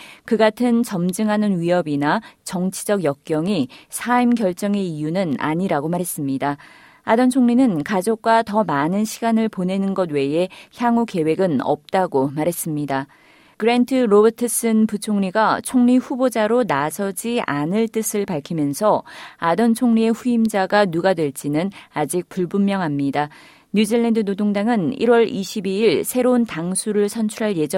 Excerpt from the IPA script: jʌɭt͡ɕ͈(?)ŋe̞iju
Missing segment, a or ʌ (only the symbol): ʌ